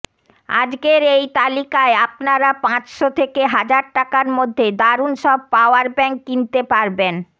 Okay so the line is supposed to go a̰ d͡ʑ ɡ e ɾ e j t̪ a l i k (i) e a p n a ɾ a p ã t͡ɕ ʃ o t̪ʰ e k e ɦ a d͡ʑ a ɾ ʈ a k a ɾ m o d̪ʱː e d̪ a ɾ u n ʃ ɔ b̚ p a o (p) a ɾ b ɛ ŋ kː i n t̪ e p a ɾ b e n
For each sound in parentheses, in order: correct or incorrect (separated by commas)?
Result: incorrect, incorrect